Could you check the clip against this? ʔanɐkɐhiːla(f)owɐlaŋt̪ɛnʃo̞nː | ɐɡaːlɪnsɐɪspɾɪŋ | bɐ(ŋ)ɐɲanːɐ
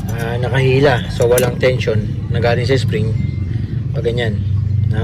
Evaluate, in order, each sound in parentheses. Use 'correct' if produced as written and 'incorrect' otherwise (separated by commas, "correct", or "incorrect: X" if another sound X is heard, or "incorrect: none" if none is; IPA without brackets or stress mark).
incorrect: s, incorrect: ɡ